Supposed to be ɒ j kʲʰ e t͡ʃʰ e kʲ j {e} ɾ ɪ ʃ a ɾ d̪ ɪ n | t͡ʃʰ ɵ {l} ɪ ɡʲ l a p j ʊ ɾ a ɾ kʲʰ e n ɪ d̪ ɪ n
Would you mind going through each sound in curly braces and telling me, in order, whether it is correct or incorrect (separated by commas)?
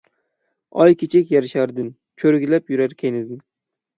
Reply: incorrect, incorrect